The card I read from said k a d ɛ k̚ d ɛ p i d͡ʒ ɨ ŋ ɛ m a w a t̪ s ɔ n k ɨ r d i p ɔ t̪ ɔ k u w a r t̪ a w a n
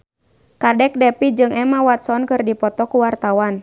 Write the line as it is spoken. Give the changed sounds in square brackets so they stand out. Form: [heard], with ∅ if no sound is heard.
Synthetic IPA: k a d ɛ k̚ d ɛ p i d͡ʒ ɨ ŋ ɛ m a w a t̪ s ɔ n k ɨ r d i p ɔ t̪ ɔ k u w a r t̪ a w a n